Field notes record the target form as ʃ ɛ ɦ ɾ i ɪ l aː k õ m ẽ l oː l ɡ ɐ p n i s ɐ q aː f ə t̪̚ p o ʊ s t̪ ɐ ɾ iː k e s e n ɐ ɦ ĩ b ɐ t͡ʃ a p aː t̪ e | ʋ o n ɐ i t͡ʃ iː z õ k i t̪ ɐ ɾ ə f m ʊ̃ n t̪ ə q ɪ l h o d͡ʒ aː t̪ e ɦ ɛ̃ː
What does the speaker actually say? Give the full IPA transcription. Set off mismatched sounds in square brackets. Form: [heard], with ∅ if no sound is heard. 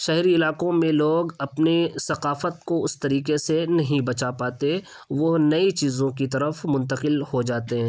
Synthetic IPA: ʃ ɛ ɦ ɾ i ɪ l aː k õ m ẽ l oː [∅] ɡ ɐ p n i s ɐ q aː f ə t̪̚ [k] o ʊ s t̪ ɐ ɾ iː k e s e n ɐ ɦ ĩ b ɐ t͡ʃ a p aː t̪ e | ʋ o n ɐ i t͡ʃ iː z õ k i t̪ ɐ ɾ ə f m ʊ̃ n t̪ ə q ɪ l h o d͡ʒ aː t̪ e ɦ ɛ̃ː